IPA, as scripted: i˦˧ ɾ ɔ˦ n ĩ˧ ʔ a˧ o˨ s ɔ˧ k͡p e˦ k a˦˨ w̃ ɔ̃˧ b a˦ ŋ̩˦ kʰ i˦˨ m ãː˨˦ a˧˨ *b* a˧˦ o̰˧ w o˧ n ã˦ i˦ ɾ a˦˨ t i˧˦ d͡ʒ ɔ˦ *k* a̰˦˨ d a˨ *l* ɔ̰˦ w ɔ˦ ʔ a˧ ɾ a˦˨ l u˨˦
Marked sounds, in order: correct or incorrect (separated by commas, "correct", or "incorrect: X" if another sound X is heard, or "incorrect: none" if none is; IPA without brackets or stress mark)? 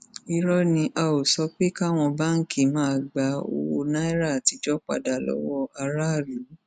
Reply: incorrect: ɡ͡b, incorrect: k͡p, correct